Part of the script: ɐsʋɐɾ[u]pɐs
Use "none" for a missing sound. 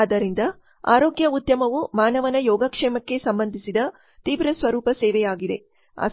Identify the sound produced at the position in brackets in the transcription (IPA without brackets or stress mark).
uː